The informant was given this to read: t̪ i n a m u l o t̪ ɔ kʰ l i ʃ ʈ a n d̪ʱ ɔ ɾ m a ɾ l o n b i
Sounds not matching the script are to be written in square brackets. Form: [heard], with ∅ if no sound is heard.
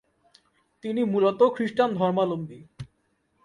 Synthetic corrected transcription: t̪ i n [i] m u l o t̪ [o] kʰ [ɾ] i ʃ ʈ a n d̪ʱ ɔ ɾ m a [∅] l o [m] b i